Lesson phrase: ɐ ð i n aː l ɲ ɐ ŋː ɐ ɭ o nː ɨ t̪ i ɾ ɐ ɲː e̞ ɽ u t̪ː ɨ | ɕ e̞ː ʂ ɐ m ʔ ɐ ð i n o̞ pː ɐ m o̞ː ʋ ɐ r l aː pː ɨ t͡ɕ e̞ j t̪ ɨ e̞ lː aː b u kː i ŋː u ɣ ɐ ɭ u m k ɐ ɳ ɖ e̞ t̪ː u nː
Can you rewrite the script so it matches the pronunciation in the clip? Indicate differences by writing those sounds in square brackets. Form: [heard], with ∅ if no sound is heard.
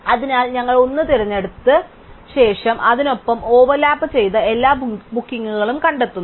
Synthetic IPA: ɐ ð i n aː l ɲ ɐ ŋː ɐ ɭ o nː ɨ t̪ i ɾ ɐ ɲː e̞ ɽ u t̪ː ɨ | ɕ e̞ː ʂ ɐ m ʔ ɐ ð i n o̞ pː ɐ m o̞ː ʋ ɐ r l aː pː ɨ t͡ɕ e̞ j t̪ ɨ e̞ lː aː b u kː i ŋː u ɣ ɐ ɭ u m k ɐ ɳ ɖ e̞ t̪ː u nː